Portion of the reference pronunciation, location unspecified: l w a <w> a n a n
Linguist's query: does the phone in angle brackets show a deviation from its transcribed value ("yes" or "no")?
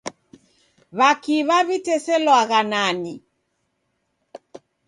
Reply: yes